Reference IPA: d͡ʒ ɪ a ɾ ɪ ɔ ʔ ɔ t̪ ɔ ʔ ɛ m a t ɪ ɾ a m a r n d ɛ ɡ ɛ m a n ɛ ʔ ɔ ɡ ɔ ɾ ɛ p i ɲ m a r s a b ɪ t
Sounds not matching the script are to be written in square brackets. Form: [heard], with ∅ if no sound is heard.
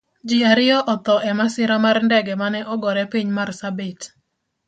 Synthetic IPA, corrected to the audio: d͡ʒ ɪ a ɾ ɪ ɔ ʔ ɔ t̪ ɔ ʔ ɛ m a [s] ɪ ɾ a m a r n d ɛ ɡ ɛ m a n ɛ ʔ ɔ ɡ ɔ ɾ ɛ p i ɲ m a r s a b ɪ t